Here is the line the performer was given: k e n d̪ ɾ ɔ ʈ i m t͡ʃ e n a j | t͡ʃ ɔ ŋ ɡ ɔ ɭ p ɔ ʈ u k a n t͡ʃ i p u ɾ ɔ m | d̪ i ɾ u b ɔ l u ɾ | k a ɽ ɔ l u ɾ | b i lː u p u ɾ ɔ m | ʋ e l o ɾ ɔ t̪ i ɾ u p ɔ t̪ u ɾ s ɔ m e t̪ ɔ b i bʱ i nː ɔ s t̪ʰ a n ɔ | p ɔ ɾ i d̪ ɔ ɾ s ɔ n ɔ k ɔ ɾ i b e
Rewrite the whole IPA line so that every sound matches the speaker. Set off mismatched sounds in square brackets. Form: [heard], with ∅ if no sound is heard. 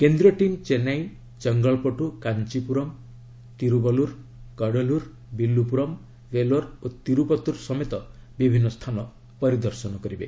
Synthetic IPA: k e n d̪ ɾ ɔ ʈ i m t͡ʃ e n a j | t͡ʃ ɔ ŋ ɡ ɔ ɭ p ɔ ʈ u k a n t͡ʃ i p u ɾ ɔ m | [t̪] i ɾ u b ɔ l u ɾ | k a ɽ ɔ l u ɾ | b i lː u p u ɾ ɔ m | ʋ e l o ɾ [o] t̪ i ɾ u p ɔ t̪ u ɾ s ɔ m e t̪ ɔ b i bʱ i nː ɔ s t̪ʰ a n ɔ | p ɔ ɾ i d̪ ɔ ɾ s ɔ n ɔ k ɔ ɾ i b e